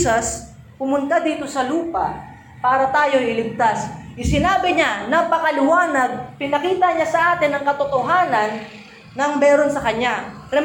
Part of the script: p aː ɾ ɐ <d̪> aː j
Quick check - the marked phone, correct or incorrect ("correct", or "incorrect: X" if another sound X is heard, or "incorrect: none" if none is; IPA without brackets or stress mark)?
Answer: incorrect: t̪